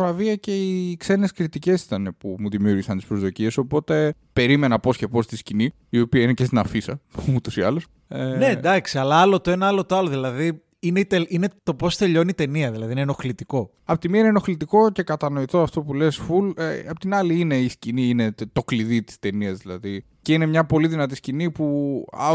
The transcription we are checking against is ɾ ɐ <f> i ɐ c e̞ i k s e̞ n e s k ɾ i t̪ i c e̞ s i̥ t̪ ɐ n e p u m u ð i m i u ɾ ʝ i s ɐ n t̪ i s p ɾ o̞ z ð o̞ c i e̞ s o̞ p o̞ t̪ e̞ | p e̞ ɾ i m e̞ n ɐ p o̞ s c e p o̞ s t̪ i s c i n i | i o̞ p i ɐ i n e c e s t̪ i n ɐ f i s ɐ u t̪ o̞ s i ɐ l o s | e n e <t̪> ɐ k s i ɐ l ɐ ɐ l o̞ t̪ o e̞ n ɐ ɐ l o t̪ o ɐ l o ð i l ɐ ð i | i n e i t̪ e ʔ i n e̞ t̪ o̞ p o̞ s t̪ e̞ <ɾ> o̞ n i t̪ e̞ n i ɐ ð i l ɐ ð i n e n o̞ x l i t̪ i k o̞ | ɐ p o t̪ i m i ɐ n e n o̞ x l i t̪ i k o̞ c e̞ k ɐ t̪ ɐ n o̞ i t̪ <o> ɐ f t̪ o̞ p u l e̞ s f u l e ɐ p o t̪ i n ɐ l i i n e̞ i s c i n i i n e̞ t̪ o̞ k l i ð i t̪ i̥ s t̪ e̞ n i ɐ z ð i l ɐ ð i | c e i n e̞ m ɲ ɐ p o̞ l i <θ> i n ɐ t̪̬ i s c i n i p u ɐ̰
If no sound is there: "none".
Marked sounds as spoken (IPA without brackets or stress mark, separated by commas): v, d̪, ʎ, o, ð